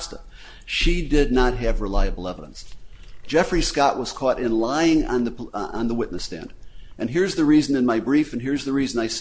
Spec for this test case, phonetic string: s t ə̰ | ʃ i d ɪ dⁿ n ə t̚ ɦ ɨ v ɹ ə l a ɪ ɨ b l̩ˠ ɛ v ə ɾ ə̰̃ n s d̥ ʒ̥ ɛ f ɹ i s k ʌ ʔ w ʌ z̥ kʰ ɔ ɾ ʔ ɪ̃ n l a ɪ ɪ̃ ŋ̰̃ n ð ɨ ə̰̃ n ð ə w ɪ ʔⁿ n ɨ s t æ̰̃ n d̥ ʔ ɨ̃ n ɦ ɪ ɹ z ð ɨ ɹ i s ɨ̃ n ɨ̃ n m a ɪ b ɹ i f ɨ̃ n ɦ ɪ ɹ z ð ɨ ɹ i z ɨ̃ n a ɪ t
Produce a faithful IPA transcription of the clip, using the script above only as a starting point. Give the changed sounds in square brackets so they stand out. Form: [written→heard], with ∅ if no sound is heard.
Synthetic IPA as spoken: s t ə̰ | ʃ i d ɪ dⁿ n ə t̚ ɦ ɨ v ɹ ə l a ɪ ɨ b l̩ˠ ɛ v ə ɾ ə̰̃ n s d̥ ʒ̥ ɛ f ɹ i s k [ʌ→ɑ] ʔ w ʌ z̥ kʰ ɔ ɾ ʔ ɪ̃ n l a ɪ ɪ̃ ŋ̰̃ n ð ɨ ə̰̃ n ð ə w ɪ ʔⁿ n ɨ s t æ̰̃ n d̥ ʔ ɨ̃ n ɦ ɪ ɹ z ð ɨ ɹ i [s→z] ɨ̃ n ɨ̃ n m a ɪ b ɹ i f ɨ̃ n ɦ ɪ ɹ z ð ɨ ɹ i z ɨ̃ n a ɪ [t→s]

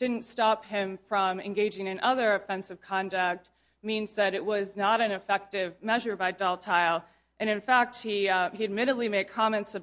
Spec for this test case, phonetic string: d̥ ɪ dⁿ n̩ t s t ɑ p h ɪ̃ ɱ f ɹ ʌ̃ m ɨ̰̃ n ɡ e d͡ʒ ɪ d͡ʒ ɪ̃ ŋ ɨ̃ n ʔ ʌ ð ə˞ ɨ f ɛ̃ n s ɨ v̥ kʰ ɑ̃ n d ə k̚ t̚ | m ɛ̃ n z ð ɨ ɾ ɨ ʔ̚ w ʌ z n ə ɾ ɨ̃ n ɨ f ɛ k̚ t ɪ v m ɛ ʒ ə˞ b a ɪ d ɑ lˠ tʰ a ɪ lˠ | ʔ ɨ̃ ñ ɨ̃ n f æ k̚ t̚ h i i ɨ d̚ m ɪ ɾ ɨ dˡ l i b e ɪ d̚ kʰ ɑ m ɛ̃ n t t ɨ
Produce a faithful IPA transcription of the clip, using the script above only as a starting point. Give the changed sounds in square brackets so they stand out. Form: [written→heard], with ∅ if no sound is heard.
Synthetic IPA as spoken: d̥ ɪ dⁿ n̩ t s t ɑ p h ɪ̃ ɱ f ɹ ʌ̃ m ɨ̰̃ n ɡ e [d͡ʒ→∅] ɪ d͡ʒ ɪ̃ ŋ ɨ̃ n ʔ ʌ ð ə˞ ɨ f ɛ̃ n s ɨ v̥ kʰ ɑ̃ n d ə k̚ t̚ | m [ɛ̃→ĩ] n z ð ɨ ɾ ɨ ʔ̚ w ʌ z n ə ɾ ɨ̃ n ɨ f ɛ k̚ t ɪ v m ɛ ʒ ə˞ b a ɪ d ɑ lˠ tʰ a ɪ lˠ | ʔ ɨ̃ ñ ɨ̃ n f æ k̚ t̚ h i i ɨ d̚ m ɪ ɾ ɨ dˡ l i [b→m] e ɪ d̚ kʰ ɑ m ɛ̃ n t [t→s] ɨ

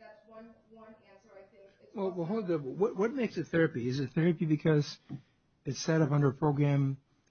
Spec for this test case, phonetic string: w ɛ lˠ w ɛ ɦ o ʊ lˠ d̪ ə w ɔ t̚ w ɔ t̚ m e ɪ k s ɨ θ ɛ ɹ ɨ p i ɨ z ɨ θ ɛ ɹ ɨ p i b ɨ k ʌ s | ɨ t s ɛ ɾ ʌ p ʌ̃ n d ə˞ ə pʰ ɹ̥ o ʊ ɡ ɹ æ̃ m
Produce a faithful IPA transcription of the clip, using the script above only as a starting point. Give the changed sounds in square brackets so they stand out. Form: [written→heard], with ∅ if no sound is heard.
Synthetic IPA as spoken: w ɛ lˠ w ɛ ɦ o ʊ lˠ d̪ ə w [ɔ→ʌ] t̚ w [ɔ→ʌ] t̚ m e ɪ k s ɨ θ ɛ ɹ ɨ p i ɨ z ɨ θ ɛ ɹ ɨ p i b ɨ [k→kʰ] ʌ [s→z] | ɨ t s ɛ ɾ ʌ p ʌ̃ n d ə˞ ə pʰ ɹ̥ o ʊ ɡ ɹ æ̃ m

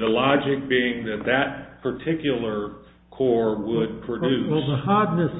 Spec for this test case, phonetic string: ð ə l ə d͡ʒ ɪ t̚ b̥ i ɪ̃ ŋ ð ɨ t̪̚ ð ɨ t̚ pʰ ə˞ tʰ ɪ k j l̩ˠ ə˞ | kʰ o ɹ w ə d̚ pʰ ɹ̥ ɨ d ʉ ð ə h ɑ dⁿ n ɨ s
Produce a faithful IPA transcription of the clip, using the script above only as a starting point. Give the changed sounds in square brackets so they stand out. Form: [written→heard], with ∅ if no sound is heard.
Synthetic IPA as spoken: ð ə l [ə→ɑ] d͡ʒ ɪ [t̚→k̚] b̥ i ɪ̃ ŋ ð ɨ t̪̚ ð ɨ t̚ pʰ ə˞ tʰ ɪ k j l̩ˠ ə˞ | kʰ [o→ɔ] ɹ w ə d̚ pʰ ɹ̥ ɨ d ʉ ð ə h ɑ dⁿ n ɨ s

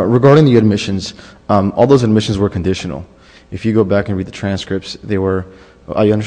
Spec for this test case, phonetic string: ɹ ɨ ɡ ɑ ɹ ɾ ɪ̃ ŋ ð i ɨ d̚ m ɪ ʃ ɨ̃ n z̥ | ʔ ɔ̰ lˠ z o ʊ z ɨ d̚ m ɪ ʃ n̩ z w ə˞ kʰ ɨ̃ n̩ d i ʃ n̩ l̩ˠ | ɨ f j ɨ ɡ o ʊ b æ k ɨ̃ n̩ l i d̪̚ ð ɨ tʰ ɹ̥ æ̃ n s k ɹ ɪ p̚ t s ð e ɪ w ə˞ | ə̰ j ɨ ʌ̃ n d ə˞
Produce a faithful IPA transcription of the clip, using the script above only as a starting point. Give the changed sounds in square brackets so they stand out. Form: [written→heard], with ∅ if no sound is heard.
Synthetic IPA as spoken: ɹ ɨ ɡ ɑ ɹ ɾ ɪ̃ ŋ ð i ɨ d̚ m ɪ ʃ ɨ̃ n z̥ | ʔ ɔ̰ lˠ [z→ð] o ʊ z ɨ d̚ m ɪ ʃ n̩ z w ə˞ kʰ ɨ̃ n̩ d [i→ɪ] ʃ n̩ l̩ˠ | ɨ f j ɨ ɡ o ʊ b æ k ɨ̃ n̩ [l→ɹ] i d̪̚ ð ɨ tʰ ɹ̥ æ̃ n s k ɹ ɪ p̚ t s ð e ɪ w ə˞ | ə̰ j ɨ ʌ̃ n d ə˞

